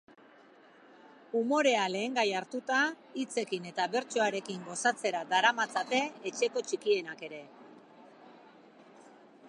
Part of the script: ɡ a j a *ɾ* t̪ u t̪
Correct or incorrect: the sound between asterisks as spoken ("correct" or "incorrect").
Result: correct